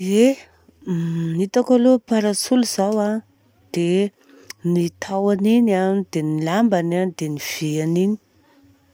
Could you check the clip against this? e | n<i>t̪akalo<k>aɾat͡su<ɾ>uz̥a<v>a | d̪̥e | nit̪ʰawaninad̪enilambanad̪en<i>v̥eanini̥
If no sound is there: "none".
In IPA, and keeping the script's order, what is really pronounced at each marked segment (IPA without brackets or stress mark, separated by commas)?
i, p, l, w, i